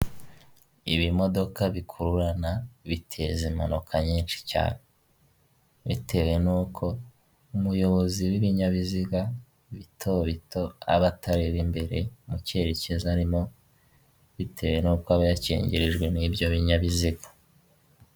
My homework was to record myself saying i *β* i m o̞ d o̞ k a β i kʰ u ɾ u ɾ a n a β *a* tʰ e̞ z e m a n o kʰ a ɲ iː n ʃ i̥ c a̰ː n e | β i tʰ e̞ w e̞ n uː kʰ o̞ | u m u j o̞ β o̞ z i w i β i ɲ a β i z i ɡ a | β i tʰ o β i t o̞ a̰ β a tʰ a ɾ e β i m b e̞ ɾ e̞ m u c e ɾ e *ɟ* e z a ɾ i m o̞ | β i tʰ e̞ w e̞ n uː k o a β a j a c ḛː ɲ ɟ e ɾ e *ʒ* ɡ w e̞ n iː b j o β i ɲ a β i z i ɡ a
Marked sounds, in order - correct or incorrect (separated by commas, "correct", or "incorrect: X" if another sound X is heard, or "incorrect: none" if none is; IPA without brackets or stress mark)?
correct, incorrect: i, incorrect: c, correct